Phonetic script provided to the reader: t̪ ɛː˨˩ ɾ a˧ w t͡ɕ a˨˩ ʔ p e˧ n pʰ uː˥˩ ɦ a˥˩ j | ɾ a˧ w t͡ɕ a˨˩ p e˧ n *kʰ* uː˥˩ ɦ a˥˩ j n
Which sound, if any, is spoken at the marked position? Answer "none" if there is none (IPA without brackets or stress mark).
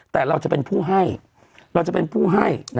pʰ